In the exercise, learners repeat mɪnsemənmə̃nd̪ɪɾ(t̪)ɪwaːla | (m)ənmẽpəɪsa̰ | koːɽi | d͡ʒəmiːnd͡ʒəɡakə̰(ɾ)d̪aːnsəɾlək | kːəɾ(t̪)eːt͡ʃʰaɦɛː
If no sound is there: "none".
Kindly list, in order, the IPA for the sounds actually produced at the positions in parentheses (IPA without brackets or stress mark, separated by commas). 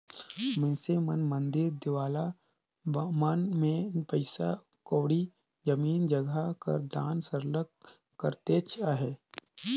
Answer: d̪, m, ɾ, t̪